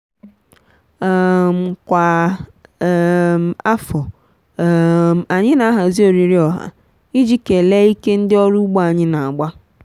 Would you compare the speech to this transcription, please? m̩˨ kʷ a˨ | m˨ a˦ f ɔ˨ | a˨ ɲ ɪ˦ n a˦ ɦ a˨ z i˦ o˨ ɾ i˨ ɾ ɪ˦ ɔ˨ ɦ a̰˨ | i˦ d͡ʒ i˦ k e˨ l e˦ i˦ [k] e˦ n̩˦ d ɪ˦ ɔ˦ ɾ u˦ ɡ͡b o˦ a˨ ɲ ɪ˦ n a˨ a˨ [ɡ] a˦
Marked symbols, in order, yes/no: yes, no

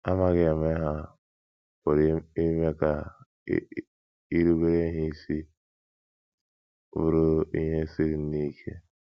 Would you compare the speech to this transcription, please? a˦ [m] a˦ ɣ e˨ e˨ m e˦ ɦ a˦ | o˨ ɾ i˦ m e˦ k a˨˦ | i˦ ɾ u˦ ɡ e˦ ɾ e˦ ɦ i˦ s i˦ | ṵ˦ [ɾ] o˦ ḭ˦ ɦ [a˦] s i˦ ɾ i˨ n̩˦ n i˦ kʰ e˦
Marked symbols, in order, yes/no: yes, yes, no

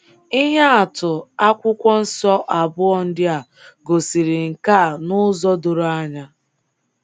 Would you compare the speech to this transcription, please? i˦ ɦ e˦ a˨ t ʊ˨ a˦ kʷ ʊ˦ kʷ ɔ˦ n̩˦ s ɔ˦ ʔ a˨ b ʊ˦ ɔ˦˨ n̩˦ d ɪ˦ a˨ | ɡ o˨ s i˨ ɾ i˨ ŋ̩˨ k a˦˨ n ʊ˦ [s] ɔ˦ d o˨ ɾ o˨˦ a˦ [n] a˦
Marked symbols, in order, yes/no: no, no

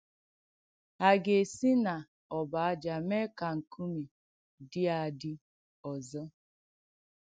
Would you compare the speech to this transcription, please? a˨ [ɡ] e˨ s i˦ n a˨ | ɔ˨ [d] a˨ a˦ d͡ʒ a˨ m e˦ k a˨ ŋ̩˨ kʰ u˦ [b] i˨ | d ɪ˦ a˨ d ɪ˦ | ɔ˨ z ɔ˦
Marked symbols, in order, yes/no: yes, no, no

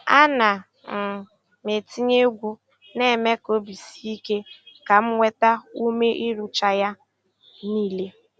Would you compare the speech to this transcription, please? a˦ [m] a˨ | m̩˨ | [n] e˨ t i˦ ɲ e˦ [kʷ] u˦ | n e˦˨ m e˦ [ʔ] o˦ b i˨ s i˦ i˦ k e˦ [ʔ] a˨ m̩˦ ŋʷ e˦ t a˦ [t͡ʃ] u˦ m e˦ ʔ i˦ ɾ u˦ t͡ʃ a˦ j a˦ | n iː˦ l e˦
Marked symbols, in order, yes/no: no, no, no, no, no, no

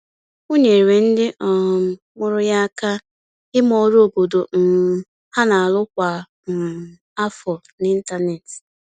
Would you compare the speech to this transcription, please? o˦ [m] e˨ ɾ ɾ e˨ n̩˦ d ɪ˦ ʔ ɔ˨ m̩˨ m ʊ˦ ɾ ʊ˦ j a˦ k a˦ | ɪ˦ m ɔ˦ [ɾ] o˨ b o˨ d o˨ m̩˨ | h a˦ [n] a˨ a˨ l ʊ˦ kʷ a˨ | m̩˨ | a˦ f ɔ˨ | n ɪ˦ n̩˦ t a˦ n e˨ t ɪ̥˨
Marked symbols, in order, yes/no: no, yes, yes

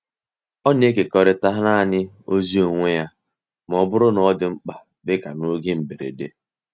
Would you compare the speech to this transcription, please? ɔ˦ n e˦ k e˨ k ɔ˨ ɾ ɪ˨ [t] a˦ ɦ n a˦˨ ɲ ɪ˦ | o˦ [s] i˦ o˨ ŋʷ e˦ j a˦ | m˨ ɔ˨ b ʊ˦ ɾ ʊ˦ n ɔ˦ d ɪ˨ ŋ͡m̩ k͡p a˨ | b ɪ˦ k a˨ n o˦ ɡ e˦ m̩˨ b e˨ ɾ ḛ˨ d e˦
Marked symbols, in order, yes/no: yes, no

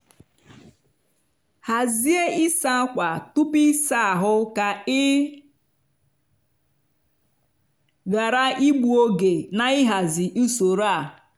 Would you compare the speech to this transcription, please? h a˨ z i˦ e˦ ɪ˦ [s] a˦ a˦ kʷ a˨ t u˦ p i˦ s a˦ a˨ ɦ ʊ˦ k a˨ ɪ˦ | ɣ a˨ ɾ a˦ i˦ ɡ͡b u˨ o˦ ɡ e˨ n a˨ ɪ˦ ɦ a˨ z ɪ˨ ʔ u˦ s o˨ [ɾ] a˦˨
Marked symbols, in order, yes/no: yes, yes

